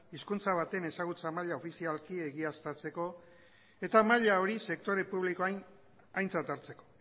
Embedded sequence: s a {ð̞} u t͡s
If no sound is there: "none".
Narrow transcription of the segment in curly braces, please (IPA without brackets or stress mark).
ɣ̞